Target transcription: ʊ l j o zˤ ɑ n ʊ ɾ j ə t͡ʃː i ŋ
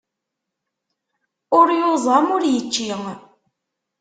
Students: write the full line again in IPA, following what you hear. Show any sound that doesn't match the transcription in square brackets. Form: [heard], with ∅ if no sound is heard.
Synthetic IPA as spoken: ʊ [ɾ] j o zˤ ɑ [m] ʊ ɾ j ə t͡ʃː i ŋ